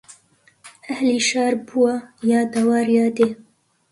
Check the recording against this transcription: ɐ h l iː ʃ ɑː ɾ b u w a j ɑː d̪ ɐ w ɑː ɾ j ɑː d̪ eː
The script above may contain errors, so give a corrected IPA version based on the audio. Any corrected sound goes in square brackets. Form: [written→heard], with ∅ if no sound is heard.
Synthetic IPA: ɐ h l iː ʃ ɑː ɾ b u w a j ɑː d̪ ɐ w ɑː ɾ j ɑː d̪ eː